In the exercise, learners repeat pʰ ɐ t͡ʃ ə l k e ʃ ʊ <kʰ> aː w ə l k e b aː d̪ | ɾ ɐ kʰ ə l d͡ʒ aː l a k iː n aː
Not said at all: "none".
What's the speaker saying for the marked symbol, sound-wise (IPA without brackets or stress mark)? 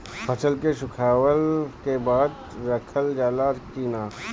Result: kʰ